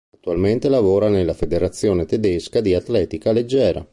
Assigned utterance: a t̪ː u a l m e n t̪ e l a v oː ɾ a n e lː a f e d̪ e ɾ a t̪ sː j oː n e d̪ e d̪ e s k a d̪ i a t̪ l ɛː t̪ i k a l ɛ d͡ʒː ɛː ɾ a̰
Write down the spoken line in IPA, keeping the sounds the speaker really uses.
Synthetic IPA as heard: a t̪ː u a l m e n t̪ e l a v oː ɾ a n e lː a f e d̪ e ɾ a t̪ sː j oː n e t̪ e d̪ e s k a d̪ i a t̪ l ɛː t̪ i k a l e d͡ʒː ɛː ɾ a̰